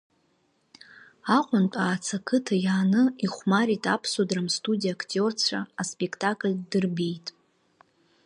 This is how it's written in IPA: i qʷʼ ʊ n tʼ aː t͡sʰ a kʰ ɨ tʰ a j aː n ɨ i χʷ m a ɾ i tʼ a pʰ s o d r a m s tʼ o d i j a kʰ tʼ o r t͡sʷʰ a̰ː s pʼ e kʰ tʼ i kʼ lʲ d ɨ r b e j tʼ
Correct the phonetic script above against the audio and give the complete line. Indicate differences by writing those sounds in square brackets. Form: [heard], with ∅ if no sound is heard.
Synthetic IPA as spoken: [a] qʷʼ ʊ n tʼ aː t͡sʰ a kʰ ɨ tʰ a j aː n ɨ i χʷ m a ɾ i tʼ a pʰ s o d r a m s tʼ [u] d i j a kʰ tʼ o r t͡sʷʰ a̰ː s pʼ e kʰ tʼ [a] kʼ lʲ d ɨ r b e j tʼ